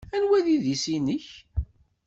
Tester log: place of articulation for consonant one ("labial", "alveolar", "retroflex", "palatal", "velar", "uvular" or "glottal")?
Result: alveolar